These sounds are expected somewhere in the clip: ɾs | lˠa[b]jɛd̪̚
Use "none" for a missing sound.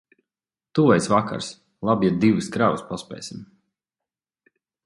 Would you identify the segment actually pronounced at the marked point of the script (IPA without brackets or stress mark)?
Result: b